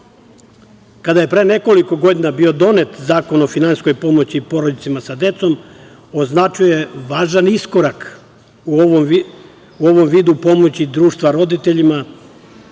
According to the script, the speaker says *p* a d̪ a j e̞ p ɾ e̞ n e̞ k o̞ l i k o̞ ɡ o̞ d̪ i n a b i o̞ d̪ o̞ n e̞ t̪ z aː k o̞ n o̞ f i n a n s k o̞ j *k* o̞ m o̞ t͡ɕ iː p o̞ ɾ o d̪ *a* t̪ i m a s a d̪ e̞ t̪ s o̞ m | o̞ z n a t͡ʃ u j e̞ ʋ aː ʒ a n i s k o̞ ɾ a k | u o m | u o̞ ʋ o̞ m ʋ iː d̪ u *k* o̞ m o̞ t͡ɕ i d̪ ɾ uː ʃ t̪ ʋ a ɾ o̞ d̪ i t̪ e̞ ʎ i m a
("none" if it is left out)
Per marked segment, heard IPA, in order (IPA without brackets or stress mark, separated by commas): k, p, i, p